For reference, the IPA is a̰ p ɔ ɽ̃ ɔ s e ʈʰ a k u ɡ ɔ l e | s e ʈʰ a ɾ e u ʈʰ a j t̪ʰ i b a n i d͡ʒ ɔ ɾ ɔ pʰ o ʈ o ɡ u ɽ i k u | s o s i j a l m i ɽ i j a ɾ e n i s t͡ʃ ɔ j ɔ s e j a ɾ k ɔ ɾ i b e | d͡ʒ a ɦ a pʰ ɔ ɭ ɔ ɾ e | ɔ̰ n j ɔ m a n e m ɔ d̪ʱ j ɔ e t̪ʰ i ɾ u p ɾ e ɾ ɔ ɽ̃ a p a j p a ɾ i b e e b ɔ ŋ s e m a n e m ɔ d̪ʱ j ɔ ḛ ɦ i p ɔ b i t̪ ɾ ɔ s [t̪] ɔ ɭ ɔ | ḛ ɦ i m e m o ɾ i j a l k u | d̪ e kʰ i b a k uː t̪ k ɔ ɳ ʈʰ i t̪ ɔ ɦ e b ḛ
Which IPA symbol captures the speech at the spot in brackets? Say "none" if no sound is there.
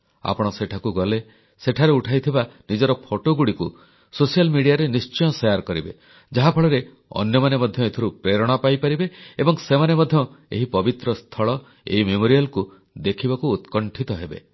t̪ʰ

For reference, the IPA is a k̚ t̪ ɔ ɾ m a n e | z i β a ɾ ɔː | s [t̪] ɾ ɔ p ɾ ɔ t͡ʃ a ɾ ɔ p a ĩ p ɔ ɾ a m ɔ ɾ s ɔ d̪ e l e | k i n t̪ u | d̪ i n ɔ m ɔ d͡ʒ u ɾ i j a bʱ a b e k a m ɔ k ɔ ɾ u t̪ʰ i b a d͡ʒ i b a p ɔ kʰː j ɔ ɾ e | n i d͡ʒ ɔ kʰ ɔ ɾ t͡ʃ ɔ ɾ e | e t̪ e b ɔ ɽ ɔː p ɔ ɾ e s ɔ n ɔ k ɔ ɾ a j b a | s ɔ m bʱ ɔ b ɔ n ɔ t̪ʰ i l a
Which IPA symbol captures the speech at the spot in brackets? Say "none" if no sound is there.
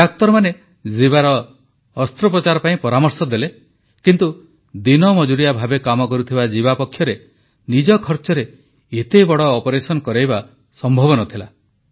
t̪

